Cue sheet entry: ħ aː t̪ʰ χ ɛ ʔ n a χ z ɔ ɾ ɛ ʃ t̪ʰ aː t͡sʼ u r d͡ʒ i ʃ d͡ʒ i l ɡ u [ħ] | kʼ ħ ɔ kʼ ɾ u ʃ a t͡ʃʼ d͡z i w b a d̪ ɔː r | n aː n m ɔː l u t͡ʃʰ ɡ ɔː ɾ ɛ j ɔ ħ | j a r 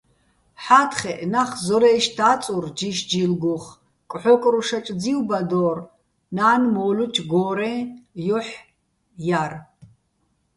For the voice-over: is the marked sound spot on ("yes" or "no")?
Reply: no